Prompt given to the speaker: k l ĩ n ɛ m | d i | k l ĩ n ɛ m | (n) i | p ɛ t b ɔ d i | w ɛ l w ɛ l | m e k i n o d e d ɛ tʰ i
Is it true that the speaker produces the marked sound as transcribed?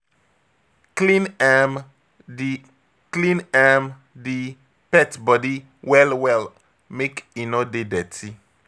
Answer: no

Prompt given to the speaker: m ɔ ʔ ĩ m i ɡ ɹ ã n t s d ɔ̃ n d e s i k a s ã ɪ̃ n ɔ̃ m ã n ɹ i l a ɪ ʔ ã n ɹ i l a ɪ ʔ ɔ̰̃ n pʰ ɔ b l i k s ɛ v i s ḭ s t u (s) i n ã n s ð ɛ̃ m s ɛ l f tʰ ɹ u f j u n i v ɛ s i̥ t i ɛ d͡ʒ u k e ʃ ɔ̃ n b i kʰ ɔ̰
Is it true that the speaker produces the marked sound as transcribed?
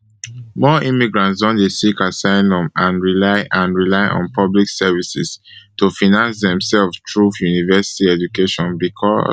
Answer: no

